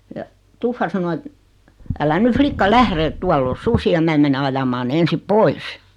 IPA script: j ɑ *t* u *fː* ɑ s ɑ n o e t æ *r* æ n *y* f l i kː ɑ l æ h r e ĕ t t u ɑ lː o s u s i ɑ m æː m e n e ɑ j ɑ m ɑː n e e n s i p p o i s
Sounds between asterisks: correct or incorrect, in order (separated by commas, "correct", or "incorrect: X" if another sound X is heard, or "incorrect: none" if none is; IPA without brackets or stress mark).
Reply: correct, correct, incorrect: l, correct